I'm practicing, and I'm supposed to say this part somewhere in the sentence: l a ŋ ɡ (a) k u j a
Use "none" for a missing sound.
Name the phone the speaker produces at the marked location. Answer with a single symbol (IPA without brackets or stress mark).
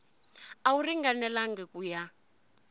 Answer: ɛ